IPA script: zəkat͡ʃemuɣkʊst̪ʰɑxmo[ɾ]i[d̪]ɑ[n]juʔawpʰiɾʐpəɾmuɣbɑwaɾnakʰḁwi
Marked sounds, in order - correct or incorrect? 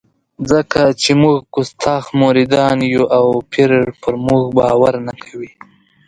correct, correct, correct

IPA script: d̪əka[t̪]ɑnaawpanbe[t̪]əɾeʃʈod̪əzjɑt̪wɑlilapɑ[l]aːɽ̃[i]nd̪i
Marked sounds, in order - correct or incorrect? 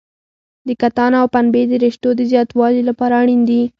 correct, incorrect: d̪, incorrect: ɾ, correct

